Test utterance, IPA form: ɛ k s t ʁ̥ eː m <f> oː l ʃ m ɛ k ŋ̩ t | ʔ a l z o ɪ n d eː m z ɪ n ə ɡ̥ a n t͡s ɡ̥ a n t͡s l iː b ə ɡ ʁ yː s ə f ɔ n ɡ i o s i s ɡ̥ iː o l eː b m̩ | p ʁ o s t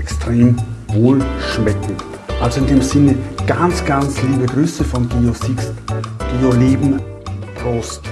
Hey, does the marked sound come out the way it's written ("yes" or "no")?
no